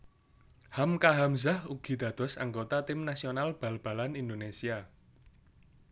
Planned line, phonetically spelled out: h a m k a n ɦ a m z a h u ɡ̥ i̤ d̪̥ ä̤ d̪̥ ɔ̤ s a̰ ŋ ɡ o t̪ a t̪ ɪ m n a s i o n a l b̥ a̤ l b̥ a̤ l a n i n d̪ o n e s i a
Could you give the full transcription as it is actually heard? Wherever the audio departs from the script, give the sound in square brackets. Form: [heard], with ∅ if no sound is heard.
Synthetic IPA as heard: h a m k a [∅] ɦ a m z a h u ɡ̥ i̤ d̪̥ ä̤ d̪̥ ɔ̤ s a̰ ŋ ɡ o t̪ a t̪ ɪ m n a s i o n a l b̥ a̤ l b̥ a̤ l a n i n d̪ o n e s i a

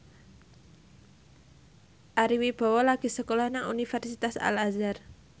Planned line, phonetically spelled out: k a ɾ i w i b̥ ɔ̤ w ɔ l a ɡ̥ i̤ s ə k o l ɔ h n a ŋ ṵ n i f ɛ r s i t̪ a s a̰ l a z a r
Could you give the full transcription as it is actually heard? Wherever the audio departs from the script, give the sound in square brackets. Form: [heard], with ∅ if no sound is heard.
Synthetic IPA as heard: [ʔ] a ɾ i w i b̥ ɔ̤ w ɔ l a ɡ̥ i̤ s ə k o l ɔ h n a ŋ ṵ n i f ɛ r s i t̪ a s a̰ l a z a r

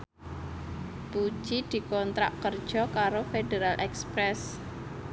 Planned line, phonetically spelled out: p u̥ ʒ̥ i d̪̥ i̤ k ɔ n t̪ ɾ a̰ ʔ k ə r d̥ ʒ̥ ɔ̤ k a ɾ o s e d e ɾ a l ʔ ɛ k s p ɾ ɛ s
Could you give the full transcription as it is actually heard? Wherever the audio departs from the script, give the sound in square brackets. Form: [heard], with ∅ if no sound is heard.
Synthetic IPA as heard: p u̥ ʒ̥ i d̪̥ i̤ k ɔ n t̪ ɾ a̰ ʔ k ə r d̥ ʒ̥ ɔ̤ k a ɾ o [f] e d e ɾ a l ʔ ɛ k s p ɾ ɛ s

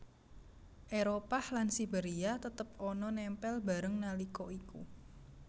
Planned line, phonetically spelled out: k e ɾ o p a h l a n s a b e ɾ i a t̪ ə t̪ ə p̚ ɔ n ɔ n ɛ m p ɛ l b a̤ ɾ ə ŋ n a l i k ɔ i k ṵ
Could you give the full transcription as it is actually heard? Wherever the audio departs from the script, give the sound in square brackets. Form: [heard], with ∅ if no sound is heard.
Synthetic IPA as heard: [ʔ] e ɾ o p a h l a n s [i] b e ɾ i a t̪ ə t̪ ə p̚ ɔ n ɔ n ɛ m p ɛ l b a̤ ɾ ə ŋ n a l i k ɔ i k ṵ

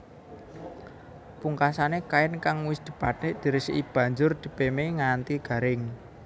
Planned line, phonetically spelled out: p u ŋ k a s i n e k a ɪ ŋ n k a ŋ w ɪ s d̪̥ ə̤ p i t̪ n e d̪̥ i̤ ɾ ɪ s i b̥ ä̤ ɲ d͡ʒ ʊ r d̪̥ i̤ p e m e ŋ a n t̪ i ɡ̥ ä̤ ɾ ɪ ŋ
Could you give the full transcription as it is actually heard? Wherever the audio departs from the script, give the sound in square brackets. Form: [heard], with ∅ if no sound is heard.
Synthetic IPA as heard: p u ŋ k a s [a] n e k a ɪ [∅] n k a ŋ w ɪ s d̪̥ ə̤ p [a] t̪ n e d̪̥ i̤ ɾ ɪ s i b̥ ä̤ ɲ d͡ʒ ʊ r d̪̥ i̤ p e m e ŋ a n t̪ i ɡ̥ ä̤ ɾ ɪ ŋ

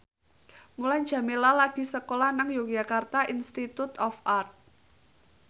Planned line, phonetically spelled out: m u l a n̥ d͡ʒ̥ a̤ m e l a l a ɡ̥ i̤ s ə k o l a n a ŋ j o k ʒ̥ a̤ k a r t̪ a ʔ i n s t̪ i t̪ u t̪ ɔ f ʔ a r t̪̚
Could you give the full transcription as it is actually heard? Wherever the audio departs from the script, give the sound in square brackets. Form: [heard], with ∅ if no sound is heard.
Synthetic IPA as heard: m u l a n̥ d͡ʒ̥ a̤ m e l a l a ɡ̥ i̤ s ə k o l a n a ŋ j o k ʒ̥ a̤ k a r t̪ a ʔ i n s t̪ i t̪ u t̪ ɔ f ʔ a r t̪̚

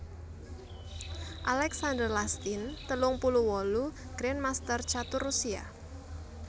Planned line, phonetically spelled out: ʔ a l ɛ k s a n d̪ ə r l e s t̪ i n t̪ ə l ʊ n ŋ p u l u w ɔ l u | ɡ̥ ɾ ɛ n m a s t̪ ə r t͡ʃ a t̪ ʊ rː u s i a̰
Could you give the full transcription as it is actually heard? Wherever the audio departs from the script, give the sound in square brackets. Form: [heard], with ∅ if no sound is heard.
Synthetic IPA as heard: ʔ a l ɛ k s a n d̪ ə r l [a] s t̪ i n t̪ ə l ʊ [∅] ŋ p u l u w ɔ l u | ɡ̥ ɾ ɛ n m a s t̪ ə r t͡ʃ a t̪ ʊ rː u s i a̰

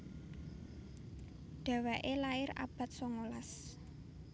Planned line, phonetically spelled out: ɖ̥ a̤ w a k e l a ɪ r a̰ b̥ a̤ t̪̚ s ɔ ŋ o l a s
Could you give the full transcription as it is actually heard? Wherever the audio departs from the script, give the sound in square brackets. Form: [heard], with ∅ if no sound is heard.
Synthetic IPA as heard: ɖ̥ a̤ w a [ʔ] e l a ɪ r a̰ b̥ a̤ t̪̚ s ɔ ŋ o l a s

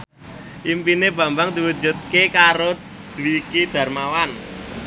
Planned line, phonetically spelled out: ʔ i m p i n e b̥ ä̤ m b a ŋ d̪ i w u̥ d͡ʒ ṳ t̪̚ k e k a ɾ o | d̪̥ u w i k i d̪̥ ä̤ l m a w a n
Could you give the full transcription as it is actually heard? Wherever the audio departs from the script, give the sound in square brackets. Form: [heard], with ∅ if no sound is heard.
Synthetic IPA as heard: ʔ i m p i n e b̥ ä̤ m b a ŋ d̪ i w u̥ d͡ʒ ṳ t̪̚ k e k a ɾ o | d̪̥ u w i k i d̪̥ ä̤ [r] m a w a n

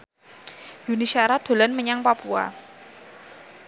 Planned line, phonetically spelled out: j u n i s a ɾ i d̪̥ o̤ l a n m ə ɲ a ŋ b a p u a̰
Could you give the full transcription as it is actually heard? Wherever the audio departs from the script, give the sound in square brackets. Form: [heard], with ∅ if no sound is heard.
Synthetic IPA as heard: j u n i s a ɾ [a] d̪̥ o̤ l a n m ə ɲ a ŋ [p] a p u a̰

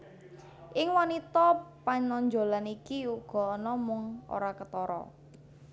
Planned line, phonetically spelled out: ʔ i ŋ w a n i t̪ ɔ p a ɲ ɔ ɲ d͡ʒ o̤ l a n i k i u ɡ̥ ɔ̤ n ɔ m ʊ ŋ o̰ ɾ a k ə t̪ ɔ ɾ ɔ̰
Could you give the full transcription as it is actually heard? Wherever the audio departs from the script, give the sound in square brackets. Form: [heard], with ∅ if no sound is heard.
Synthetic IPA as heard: ʔ [ɪ] ŋ w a n i t̪ ɔ p a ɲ ɔ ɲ d͡ʒ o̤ l a n i k i u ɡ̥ ɔ̤ n ɔ m ʊ ŋ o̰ ɾ a k ə t̪ ɔ ɾ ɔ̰

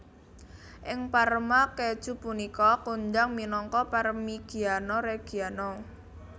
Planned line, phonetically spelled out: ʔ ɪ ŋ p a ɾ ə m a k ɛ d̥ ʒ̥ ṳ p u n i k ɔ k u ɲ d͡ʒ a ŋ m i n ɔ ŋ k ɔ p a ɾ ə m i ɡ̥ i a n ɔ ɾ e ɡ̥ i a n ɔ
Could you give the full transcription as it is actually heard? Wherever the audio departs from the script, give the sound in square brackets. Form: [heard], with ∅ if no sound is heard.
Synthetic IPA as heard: ʔ ɪ ŋ p a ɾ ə m a k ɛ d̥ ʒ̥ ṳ p u n i k ɔ k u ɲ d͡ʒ a ŋ m i n ɔ ŋ k ɔ p a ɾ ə m i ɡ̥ i a n ɔ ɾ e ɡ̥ i a n ɔ

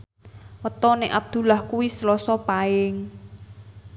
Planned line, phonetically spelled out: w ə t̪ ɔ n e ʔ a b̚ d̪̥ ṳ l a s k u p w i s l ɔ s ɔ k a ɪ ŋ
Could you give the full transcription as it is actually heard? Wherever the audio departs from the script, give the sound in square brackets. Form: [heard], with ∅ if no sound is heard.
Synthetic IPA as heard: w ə t̪ ɔ n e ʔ a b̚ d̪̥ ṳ l a [h] k u [∅] w i s l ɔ s ɔ [p] a ɪ ŋ

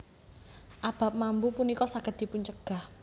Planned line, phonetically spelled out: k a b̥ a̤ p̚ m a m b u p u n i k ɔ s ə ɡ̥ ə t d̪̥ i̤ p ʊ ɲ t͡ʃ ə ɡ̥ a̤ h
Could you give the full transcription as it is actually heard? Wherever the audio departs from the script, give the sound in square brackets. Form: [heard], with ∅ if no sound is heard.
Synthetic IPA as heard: [ʔ] a b̥ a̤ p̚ m a m b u p u n i k ɔ s [a] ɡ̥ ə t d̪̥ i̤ p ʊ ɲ t͡ʃ ə ɡ̥ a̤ h

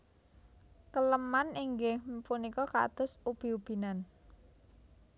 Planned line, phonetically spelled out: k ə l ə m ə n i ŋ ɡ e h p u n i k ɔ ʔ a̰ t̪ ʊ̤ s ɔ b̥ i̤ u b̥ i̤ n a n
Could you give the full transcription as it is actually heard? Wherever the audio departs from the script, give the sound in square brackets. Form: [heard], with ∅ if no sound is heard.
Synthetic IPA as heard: k ə l ə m [a] n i ŋ ɡ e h p u n i k ɔ [k] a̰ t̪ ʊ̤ s [u] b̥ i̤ u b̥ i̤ n a n

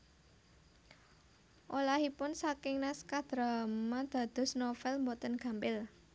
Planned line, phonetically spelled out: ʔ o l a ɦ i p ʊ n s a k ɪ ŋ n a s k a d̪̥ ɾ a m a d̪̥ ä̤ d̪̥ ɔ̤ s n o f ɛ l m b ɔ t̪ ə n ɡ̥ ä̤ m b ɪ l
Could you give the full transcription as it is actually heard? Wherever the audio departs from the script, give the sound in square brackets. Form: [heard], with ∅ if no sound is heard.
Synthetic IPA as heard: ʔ o l a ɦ i p ʊ n s a k ɪ ŋ n a s k a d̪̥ ɾ a m a d̪̥ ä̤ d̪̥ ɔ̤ s n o f ɛ l m b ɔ t̪ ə n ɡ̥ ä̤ m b ɪ l

